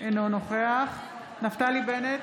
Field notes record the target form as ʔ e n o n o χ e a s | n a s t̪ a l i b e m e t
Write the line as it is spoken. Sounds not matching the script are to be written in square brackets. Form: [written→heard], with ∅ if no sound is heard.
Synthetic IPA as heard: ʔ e n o n o χ e a [s→χ] | n a [s→f] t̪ a l i b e [m→n] e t

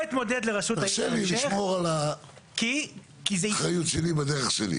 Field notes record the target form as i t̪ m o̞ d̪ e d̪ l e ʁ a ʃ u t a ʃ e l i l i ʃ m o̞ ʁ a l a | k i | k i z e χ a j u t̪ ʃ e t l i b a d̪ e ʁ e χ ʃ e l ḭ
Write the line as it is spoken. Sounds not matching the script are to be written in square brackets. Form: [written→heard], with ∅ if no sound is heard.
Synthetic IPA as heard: i t̪ m o̞ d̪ e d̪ l e ʁ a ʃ u t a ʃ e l i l i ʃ m o̞ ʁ a l a | k i | k i z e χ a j u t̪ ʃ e [t→∅] l i b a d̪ e ʁ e χ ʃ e l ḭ

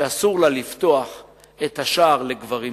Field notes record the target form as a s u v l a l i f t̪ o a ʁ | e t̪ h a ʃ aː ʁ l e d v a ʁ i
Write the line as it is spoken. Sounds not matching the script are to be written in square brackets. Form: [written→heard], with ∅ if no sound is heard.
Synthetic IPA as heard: a s u [v→ʁ] l a l i f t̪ o a [ʁ→χ] | e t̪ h a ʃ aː ʁ l e [d→ɡ] v a ʁ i

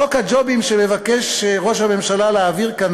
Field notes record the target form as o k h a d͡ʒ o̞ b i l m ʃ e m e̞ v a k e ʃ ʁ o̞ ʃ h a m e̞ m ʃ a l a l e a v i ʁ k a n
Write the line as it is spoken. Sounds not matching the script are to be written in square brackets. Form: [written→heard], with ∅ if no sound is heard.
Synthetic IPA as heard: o k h a d͡ʒ o̞ b i [l→∅] m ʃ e m e̞ v a k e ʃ ʁ o̞ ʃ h a m e̞ m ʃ a l a l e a v i ʁ k a n

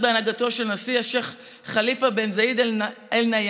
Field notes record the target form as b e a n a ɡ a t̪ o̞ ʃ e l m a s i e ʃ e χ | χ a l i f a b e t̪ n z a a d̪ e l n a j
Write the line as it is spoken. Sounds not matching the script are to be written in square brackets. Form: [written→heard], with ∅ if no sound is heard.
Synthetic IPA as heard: b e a n a ɡ a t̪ o̞ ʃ e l [m→n] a s i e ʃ e χ | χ a l i f a b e [t̪→∅] n z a [a→i] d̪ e l n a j

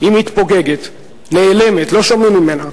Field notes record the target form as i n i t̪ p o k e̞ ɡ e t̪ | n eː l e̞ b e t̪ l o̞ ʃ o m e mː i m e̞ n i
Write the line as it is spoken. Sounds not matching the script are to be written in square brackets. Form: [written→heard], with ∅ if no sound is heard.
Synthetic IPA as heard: i [n→m] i t̪ p o [k→ɡ] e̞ ɡ e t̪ | n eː l e̞ [b→m] e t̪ l o̞ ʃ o m [e→i] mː i m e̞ n [i→a]

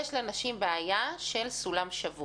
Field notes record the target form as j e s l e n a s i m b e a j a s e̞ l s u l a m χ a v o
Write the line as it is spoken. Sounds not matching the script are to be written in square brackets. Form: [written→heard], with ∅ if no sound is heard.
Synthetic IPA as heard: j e [s→ʃ] l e n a [s→ʃ] i m b e a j a [s→ʃ] e̞ l s u l a m [χ→ʃ] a v [o→u]

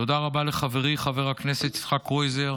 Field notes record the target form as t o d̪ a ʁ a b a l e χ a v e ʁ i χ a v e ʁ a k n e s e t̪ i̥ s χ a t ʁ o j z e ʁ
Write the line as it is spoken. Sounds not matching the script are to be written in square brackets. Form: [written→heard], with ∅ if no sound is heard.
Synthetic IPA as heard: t o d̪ a ʁ a b a l e χ a v e ʁ i χ a v e ʁ a k n e s e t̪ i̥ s χ a [t→k] ʁ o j z e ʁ

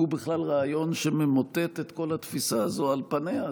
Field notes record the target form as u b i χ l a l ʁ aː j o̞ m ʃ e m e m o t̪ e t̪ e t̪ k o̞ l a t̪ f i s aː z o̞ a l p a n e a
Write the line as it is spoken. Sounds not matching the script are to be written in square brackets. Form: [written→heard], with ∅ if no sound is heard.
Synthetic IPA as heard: u b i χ l a l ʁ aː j o̞ [m→n] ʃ e m e m o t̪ e t̪ e t̪ k o̞ l a t̪ f i s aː z o̞ a l p a n e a

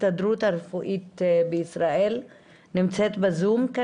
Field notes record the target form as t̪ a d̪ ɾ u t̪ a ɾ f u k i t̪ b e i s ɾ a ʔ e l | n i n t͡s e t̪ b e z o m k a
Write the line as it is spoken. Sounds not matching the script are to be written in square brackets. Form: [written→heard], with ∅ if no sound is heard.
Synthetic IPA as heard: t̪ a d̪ ɾ u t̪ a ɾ f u [k→ʔ] i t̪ b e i s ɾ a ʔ e l | n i [n→m] t͡s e t̪ b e z [o→u] m k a

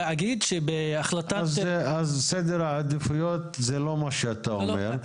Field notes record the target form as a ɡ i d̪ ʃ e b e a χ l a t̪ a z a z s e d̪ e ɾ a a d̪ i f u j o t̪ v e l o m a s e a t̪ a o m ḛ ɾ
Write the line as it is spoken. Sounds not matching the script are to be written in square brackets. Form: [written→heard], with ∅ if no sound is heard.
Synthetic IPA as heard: a ɡ i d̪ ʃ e b e a χ l a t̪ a z a z s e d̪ e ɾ a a d̪ i f u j o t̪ [v→z] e l o m a [s→ʃ] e a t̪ a o m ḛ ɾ

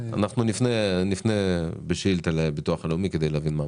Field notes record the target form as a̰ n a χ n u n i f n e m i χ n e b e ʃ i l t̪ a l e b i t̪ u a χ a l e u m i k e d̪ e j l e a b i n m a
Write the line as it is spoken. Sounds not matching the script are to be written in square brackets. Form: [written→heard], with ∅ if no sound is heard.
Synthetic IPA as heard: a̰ n a χ n u n i f n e [m→n] i [χ→f] n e b e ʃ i l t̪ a l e b i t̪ u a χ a l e u m i k e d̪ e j l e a [b→v] i n m a

